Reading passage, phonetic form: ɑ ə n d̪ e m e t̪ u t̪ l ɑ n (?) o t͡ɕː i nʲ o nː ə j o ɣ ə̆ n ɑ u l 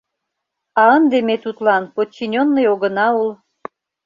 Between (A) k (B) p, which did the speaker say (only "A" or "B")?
B